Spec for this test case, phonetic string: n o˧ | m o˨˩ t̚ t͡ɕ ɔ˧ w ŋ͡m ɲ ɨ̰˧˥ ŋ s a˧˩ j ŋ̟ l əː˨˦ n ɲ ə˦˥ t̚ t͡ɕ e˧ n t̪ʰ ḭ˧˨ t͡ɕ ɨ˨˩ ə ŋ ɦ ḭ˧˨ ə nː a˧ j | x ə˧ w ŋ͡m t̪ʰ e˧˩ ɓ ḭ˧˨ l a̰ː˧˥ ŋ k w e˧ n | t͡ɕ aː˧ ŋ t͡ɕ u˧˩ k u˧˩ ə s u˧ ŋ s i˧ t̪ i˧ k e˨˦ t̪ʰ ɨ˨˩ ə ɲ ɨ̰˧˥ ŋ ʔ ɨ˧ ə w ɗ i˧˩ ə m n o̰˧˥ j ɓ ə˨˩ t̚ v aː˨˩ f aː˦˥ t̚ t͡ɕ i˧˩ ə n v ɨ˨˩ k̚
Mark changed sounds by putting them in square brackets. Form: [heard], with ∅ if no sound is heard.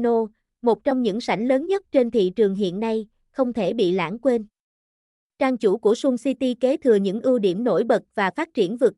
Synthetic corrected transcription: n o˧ | m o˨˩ t̚ t͡ɕ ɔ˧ w ŋ͡m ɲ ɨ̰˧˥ ŋ s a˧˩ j ŋ̟ l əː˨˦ n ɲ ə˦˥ t̚ t͡ɕ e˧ n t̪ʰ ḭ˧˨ t͡ɕ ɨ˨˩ ə ŋ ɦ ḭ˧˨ ə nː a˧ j | x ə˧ w ŋ͡m t̪ʰ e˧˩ ɓ ḭ˧˨ l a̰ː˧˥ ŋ k w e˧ n | t͡ɕ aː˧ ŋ t͡ɕ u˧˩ k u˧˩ ə s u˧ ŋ s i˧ t̪ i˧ k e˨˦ t̪ʰ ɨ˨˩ ə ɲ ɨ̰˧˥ ŋ ʔ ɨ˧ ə w ɗ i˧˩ ə m n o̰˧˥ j ɓ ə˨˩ t̚ v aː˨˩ f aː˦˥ t̚ t͡ɕ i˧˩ ə n v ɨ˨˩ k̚